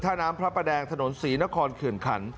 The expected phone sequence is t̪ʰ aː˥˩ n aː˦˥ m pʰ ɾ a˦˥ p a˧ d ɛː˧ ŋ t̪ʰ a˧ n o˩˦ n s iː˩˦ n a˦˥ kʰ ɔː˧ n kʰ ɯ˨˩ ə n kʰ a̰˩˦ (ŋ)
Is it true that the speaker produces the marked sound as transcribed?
no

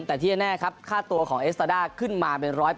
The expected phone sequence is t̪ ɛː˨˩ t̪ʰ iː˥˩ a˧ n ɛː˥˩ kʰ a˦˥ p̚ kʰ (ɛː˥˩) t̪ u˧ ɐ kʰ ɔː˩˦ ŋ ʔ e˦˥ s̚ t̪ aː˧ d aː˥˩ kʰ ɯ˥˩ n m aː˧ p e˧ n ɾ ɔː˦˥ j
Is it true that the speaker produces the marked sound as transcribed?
no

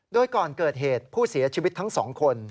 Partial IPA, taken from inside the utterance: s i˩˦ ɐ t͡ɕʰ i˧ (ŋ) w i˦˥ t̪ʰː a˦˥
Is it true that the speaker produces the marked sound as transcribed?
no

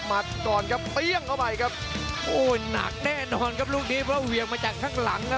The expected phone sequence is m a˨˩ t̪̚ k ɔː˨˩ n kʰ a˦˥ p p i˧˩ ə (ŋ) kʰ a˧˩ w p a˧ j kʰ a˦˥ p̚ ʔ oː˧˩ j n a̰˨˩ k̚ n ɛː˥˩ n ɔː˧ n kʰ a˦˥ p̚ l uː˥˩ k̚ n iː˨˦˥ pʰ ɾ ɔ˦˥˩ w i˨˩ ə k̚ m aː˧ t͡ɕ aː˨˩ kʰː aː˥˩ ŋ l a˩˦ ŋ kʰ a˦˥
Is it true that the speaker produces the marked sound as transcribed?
yes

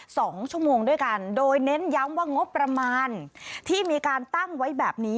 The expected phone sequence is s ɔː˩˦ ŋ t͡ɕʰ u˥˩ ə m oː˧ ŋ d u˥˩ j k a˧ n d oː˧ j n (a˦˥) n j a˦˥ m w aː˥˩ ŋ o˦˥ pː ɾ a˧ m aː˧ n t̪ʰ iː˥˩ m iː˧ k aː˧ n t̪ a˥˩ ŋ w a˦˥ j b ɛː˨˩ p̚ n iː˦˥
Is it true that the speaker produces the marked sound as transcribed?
no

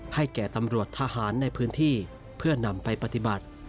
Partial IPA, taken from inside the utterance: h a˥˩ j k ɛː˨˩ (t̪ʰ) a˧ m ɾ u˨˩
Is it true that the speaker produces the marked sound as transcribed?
no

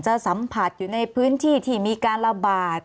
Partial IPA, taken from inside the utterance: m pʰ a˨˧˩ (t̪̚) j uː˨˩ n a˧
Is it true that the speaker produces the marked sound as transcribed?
yes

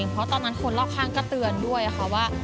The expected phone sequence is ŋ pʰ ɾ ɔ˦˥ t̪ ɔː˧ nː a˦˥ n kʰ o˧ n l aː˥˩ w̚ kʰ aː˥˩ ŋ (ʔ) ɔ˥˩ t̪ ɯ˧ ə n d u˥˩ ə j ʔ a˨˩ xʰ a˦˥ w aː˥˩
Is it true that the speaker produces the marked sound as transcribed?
no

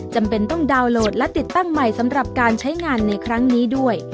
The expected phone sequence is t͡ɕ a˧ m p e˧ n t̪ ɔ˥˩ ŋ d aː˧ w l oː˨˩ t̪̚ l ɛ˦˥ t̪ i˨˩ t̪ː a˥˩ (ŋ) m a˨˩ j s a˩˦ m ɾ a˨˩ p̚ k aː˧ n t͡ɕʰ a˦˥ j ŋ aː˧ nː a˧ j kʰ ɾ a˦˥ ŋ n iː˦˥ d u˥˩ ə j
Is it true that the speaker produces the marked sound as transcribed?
yes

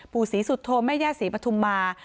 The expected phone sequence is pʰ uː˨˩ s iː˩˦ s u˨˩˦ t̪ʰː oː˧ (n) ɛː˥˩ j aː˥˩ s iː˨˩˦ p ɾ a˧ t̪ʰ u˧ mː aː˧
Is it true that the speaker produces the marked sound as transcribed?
no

